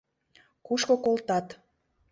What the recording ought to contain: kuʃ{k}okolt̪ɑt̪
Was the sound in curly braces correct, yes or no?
yes